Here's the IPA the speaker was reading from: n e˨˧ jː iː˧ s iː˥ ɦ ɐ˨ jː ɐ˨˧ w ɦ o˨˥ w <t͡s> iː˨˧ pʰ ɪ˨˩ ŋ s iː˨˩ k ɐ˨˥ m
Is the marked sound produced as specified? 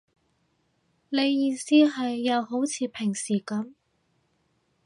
no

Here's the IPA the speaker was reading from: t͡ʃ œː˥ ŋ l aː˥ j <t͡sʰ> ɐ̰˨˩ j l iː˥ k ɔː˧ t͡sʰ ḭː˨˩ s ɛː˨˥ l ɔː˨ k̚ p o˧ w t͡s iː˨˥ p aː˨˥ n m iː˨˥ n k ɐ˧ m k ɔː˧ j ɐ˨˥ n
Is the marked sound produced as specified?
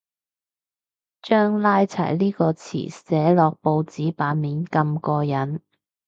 yes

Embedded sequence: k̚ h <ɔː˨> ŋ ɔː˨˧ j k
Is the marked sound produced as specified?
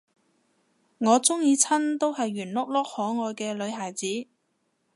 no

